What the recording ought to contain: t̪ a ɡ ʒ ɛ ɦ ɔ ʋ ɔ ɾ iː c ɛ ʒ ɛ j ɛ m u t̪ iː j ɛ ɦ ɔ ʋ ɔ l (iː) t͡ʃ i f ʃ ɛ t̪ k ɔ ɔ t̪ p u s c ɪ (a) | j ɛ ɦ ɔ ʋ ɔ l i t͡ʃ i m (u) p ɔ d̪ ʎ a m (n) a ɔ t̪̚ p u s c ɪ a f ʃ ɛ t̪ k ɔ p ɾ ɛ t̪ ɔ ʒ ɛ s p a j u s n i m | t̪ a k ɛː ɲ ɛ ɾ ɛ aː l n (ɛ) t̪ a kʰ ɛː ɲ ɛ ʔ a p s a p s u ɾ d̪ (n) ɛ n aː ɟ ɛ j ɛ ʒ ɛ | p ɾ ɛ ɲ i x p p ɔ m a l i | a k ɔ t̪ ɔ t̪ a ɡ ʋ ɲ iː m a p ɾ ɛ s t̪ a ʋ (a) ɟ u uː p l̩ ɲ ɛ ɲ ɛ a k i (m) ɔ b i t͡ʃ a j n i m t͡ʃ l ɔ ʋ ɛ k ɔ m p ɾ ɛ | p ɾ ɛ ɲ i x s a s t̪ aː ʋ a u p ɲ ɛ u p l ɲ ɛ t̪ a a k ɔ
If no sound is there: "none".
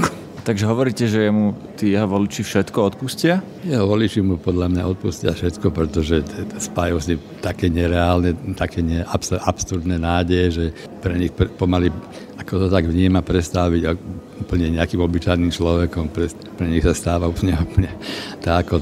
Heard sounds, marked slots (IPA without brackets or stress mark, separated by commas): i, a, u, ɲ, ɛ, n, i, m